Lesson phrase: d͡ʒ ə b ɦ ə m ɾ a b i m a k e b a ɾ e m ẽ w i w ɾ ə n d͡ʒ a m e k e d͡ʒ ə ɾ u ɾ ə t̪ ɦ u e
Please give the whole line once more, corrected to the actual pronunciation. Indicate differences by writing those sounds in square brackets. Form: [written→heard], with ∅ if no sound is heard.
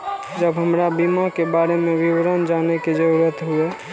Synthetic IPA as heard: d͡ʒ ə b ɦ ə m ɾ a b i m a k e b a ɾ e m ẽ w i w ɾ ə n d͡ʒ a [m→n] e k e d͡ʒ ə ɾ u ɾ ə t̪ ɦ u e